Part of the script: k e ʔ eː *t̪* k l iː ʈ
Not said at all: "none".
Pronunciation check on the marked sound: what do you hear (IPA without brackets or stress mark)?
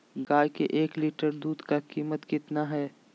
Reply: none